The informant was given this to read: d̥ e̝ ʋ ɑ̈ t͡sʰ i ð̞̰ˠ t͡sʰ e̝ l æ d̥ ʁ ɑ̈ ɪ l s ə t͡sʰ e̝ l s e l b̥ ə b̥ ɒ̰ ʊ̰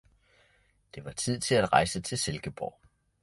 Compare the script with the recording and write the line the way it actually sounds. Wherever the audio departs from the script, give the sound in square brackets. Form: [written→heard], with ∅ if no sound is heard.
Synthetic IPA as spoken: d̥ e̝ ʋ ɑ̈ t͡sʰ i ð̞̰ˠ t͡sʰ e̝ l æ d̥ ʁ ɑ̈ ɪ [l→∅] s ə t͡sʰ e̝ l s e l [b̥→ɡ̥] ə b̥ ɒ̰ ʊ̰